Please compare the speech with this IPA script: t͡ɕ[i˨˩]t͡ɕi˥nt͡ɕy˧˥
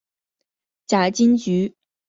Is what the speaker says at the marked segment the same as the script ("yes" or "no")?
no